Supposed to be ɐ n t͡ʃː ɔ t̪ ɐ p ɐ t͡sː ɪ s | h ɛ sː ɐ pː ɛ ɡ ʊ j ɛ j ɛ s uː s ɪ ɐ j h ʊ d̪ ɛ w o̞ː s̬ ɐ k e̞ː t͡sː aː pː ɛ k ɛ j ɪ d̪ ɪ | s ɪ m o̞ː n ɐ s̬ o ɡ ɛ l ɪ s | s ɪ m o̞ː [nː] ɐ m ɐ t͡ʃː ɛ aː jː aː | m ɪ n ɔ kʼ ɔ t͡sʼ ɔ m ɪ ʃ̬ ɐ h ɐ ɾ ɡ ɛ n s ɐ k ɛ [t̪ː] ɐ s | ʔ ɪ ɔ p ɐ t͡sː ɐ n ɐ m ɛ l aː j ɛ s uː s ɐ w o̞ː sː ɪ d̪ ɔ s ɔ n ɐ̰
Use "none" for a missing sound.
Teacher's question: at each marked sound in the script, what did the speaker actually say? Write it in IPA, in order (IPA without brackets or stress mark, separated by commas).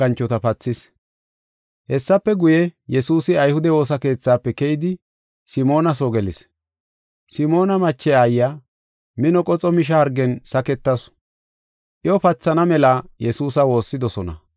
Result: n, t̪ː